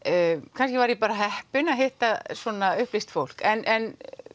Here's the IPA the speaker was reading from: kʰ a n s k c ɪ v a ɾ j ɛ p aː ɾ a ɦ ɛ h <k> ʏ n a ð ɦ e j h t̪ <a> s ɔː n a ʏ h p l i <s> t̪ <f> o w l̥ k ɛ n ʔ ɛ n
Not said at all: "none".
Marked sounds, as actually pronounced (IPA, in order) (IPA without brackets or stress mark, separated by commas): p, a, s, f